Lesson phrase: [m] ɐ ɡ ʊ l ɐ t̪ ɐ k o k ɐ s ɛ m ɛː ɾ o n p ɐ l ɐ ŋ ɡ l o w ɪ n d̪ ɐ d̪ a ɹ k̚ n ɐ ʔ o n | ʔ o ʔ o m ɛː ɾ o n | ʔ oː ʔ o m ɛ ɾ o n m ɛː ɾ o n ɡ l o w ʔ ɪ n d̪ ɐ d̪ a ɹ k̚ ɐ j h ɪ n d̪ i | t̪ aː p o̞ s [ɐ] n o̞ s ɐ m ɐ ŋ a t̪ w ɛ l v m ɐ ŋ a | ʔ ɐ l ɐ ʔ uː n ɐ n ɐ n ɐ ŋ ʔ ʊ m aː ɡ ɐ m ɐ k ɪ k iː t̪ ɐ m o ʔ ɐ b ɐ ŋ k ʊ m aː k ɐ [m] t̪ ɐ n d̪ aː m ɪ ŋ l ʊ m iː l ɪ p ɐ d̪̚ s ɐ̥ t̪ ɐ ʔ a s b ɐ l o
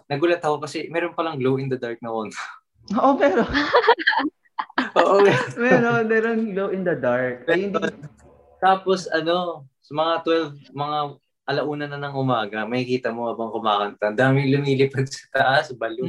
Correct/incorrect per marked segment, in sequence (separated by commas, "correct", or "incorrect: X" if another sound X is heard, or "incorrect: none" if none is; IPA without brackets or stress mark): incorrect: n, correct, incorrect: n